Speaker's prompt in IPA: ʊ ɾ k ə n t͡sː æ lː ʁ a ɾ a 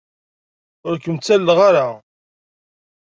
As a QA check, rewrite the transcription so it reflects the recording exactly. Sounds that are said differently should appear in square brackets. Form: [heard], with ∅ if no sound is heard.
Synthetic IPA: ʊ ɾ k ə [m] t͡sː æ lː ʁ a ɾ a

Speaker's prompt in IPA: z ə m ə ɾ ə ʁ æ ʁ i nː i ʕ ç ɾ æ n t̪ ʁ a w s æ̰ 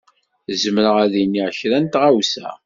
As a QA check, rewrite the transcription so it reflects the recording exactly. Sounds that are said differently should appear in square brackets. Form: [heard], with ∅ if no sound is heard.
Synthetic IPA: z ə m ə ɾ ə ʁ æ [ð] i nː i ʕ ç ɾ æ n t̪ ʁ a w s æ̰

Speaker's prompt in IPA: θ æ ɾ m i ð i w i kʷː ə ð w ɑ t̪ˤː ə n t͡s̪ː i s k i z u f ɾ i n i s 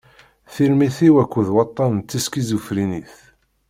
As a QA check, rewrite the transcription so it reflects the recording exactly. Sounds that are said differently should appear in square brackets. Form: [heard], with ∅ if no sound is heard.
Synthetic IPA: θ [i] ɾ m i [θ] i w [æ] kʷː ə ð w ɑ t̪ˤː [ɑ] n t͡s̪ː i s k i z u f ɾ i n i [θ]

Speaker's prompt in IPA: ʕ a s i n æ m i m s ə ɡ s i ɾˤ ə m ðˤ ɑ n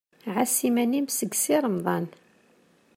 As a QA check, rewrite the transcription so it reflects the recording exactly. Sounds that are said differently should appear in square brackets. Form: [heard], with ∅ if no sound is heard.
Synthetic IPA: ʕ a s i [m] æ [n] i m s ə ɡ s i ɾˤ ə m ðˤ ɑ n

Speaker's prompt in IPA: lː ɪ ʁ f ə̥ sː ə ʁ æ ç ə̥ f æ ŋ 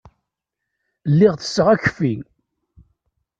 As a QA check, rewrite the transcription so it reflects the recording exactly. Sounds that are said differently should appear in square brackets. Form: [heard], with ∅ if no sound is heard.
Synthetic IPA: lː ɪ ʁ [θ] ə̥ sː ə ʁ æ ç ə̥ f [i] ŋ

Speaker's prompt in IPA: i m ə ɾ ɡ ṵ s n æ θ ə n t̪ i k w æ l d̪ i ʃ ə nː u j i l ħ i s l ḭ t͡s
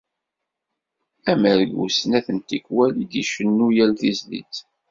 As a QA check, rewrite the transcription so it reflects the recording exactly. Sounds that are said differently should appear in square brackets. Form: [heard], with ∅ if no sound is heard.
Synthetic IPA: [æ] m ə ɾ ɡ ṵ s n æ θ ə n t̪ i k w æ l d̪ i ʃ ə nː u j [æ] l [θ] i [z] l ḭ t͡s

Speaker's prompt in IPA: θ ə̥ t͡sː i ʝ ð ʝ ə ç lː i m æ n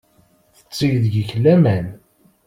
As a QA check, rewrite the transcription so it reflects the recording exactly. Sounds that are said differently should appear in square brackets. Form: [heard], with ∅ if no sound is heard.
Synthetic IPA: θ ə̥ t͡sː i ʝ ð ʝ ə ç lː [æ] m æ n

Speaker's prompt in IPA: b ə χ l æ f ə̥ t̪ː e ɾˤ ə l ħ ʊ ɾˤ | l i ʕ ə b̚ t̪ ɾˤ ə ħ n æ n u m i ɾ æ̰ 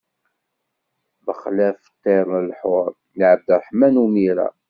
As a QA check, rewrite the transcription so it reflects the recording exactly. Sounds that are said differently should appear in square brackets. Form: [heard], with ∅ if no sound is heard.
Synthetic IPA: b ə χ l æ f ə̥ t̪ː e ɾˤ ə l ħ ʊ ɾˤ | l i ʕ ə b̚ [d̪] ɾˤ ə ħ [m] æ n u m i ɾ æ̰

